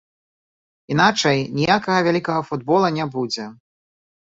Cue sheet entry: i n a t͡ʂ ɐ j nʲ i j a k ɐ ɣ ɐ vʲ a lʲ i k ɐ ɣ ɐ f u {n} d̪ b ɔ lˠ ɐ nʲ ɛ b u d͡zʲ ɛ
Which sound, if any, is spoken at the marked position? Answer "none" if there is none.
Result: none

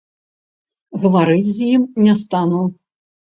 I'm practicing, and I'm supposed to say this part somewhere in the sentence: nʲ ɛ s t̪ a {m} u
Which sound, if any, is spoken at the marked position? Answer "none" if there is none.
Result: n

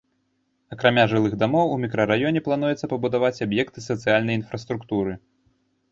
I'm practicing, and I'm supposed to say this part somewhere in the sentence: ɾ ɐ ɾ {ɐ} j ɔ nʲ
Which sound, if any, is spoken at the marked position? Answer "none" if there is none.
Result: a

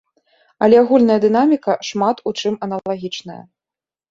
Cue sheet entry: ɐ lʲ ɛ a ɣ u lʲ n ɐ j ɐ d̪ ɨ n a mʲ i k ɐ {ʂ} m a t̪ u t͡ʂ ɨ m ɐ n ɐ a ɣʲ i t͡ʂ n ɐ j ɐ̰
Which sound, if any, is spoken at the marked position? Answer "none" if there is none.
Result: ʂ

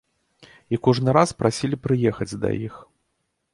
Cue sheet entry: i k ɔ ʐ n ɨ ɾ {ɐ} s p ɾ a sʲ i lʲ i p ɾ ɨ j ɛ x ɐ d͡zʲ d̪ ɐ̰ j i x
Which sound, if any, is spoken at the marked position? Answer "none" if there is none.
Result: a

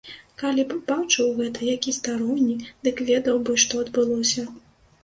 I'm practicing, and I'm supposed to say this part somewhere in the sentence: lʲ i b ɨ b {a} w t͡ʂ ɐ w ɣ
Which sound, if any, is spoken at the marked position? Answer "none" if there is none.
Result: a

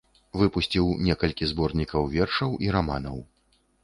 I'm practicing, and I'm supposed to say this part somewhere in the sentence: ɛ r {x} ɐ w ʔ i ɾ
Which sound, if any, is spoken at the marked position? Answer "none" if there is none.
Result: ʂ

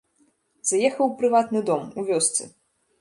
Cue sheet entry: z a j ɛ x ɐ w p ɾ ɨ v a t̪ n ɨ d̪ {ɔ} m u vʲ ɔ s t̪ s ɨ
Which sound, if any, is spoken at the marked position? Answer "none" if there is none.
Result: ɔ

